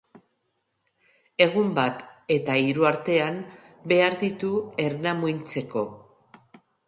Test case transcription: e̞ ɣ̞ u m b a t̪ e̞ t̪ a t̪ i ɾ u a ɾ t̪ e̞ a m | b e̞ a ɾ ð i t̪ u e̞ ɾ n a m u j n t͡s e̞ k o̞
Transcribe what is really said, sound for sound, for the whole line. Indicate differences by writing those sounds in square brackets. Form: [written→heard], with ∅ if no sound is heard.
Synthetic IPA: e̞ ɣ̞ u m b a t̪ e̞ t̪ a [t̪→∅] i ɾ u a ɾ t̪ e̞ a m | b e̞ a ɾ ð i t̪ u e̞ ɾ n a m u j n t͡s e̞ k o̞